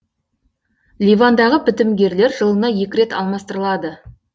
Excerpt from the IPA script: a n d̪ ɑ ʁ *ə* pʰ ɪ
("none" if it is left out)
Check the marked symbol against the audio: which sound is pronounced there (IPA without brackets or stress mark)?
ə